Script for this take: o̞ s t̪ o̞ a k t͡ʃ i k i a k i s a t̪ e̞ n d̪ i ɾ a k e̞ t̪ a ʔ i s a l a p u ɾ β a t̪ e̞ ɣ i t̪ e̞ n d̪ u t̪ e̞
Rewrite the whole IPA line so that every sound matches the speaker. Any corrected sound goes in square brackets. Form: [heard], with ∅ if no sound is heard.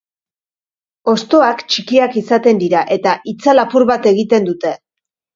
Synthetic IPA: o̞ s t̪ o̞ a k t͡ʃ i k i a k i s a t̪ e̞ n d̪ i ɾ a [ʔ] e̞ t̪ a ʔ i [t͡s] a l a p u ɾ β a t̪ e̞ ɣ i t̪ e̞ n d̪ u t̪ e̞

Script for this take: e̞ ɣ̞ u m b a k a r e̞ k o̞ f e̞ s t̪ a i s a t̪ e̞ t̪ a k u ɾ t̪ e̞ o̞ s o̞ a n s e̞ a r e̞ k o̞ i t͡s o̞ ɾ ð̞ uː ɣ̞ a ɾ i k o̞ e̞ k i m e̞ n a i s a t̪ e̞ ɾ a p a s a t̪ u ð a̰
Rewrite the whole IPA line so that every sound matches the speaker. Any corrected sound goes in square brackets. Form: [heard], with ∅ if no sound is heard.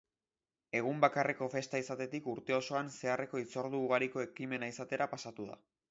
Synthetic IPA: e̞ ɣ̞ u m b a k a r e̞ k o̞ f e̞ s t̪ a i s a t̪ e̞ t̪ [i] k u ɾ t̪ e̞ o̞ s o̞ a n s e̞ a r e̞ k o̞ i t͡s o̞ ɾ ð̞ uː ɣ̞ a ɾ i k o̞ e̞ k i m e̞ n a i s a t̪ e̞ ɾ a p a s a t̪ u ð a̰

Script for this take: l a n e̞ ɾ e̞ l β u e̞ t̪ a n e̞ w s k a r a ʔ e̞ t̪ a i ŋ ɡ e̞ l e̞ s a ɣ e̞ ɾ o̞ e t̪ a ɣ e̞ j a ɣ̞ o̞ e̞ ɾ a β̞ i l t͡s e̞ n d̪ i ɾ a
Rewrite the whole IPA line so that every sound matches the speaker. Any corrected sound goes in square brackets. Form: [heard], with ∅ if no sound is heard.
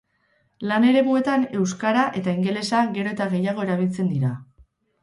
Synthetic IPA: l a n e̞ ɾ e̞ [∅] β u e̞ t̪ a n e̞ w s k a [ɾ] a ʔ e̞ t̪ a i ŋ ɡ e̞ l e̞ s a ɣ e̞ ɾ o̞ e t̪ a ɣ e̞ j a ɣ̞ o̞ e̞ ɾ a β̞ i l t͡s e̞ n d̪ i ɾ a

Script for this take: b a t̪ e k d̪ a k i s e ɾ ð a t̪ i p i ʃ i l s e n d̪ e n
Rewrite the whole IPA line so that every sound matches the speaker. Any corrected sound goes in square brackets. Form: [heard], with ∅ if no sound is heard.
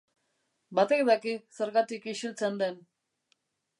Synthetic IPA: b a t̪ e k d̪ a k i s e ɾ [ɣ] a t̪ i [k] i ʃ i l [t͡s] e n d̪ e n

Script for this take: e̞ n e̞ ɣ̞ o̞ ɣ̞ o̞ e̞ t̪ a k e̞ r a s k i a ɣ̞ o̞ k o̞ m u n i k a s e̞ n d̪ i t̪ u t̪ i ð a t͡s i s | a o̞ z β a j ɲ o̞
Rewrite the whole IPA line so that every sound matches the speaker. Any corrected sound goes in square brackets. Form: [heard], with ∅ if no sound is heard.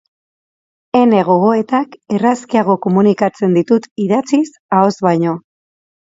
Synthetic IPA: e̞ n e̞ ɣ̞ o̞ ɣ̞ o̞ e̞ t̪ a k e̞ r a s k i a ɣ̞ o̞ k o̞ m u n i k a [t͡s] e̞ n d̪ i t̪ u t̪ i ð a t͡s i s | a o̞ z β a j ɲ o̞

